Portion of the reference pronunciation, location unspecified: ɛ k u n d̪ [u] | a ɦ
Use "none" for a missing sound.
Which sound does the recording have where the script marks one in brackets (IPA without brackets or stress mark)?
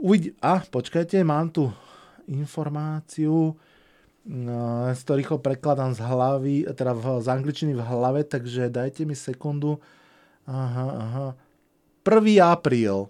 u